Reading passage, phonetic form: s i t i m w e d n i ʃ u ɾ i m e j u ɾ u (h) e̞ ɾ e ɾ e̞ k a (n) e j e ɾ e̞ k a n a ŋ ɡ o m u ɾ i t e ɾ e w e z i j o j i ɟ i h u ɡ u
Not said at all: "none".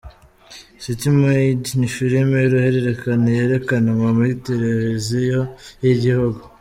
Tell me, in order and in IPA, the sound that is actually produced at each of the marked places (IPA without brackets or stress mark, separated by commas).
h, n